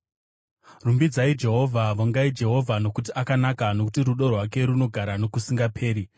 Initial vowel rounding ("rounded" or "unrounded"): rounded